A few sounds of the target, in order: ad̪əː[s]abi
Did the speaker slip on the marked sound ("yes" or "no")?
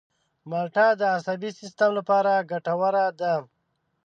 no